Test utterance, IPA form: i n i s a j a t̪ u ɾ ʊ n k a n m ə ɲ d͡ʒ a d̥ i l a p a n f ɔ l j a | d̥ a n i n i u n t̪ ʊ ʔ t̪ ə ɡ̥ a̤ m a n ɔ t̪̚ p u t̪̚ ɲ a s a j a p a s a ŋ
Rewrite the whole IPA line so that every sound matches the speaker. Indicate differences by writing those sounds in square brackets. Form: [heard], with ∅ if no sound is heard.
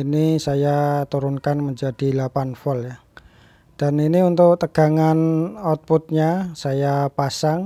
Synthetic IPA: i n i s a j a t̪ u ɾ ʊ n k a n m ə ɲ d͡ʒ a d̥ i l a p a n f ɔ l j a | d̥ a n i n i u n t̪ ʊ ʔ t̪ ə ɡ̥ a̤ [ŋ] a n ɔ t̪̚ p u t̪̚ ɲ a s a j a p a s a ŋ